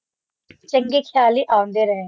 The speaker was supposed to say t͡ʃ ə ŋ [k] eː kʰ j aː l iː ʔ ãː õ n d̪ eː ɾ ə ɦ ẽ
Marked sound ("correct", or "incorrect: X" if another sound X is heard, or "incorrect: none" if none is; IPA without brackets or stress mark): incorrect: ɡ